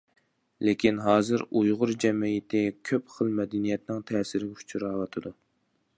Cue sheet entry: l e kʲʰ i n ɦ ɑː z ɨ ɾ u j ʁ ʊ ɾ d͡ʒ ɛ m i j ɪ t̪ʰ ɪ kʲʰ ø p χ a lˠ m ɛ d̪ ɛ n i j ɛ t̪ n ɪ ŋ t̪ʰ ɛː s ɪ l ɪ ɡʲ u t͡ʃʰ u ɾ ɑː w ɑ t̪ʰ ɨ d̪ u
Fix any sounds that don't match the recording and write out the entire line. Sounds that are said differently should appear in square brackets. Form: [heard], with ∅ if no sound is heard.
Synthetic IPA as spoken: l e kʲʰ i n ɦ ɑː z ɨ ɾ u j ʁ ʊ ɾ d͡ʒ ɛ m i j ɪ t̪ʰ ɪ kʲʰ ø p χ [ə] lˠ m ɛ d̪ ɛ n i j ɛ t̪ n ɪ ŋ t̪ʰ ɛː s ɪ [ɾ] ɪ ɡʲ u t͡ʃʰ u ɾ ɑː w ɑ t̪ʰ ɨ d̪ u